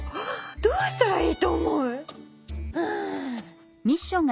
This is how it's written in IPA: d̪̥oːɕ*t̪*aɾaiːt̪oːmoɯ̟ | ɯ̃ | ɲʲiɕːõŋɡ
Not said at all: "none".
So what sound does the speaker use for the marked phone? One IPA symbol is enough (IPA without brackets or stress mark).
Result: t̪